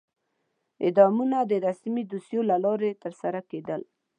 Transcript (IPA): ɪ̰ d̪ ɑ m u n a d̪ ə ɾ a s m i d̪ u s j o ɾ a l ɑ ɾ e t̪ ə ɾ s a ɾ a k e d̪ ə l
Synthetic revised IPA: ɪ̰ d̪ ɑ m u n a d̪ ə ɾ a s m i d̪ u s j o l a l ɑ ɾ e t̪ ə ɾ s a ɾ a k e d̪ ə l